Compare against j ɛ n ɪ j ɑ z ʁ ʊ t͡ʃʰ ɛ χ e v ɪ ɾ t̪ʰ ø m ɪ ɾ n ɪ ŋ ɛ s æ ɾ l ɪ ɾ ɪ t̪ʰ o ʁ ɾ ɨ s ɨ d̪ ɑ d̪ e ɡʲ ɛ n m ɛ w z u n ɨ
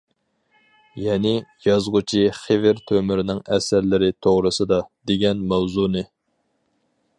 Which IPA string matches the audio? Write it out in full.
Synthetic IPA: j ɛ n ɪ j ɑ z ʁ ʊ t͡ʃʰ i χ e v ɪ ɾ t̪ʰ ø m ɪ ɾ n ɪ ŋ ɛ s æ ɾ l ɪ ɾ ɪ t̪ʰ o ʁ ɾ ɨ s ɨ d̪ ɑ d̪ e ɡʲ ɛ n m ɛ w z u n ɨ